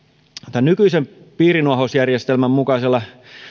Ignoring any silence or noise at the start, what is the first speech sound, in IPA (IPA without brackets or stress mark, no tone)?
t̪